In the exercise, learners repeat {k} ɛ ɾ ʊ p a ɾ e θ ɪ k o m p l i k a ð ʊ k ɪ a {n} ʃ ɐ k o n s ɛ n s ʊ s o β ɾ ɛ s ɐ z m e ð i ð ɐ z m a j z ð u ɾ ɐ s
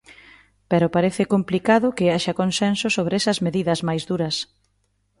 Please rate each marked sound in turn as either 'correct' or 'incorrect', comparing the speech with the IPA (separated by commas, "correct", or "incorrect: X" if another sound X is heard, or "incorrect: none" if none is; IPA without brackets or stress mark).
incorrect: p, incorrect: none